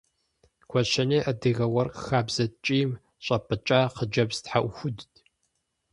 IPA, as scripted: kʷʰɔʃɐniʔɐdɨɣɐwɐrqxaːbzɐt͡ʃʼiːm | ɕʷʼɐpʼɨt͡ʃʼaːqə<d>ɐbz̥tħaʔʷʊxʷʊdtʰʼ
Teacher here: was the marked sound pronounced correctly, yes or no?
no